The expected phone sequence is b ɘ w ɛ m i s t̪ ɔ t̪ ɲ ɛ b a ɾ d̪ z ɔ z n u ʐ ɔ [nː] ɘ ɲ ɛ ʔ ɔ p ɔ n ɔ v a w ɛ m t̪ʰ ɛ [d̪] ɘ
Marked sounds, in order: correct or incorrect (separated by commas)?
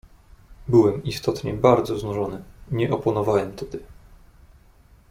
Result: incorrect, correct